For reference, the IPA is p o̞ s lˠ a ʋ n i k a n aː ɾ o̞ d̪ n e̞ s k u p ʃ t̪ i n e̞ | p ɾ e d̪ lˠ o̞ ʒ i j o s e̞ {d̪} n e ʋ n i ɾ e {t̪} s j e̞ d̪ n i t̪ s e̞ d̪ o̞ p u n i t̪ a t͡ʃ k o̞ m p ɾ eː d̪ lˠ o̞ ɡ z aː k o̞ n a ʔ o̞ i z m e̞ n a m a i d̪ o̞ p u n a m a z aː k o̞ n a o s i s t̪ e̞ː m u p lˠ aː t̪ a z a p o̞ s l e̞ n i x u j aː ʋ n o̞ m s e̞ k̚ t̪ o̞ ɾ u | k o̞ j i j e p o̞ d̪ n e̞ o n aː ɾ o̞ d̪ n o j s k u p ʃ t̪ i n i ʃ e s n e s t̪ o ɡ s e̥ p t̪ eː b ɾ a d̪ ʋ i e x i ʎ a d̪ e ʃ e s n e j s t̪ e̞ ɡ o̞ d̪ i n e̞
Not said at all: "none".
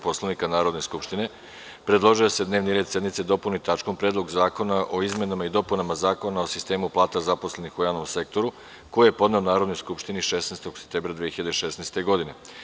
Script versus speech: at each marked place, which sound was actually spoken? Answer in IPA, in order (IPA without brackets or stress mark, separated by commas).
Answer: d̪, d̪